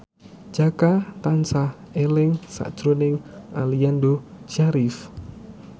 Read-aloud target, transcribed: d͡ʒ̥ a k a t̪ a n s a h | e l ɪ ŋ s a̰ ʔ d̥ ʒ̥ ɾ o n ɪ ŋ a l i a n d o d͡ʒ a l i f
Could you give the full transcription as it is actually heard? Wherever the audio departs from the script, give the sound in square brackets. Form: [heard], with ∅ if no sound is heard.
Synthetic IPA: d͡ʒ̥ a k a t̪ a n s a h | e l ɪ ŋ s a̰ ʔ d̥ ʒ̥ ɾ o n ɪ ŋ a l i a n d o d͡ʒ a [ɾ] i f